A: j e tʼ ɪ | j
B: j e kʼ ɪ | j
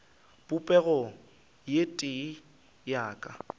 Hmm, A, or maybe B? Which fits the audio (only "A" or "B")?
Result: A